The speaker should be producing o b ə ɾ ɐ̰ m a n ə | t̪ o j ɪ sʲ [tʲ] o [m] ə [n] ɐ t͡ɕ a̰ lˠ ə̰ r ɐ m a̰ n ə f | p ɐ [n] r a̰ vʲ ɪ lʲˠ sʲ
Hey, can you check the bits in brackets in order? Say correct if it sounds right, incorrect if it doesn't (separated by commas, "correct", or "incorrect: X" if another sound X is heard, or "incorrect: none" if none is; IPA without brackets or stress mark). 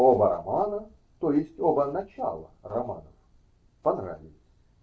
correct, incorrect: b, correct, correct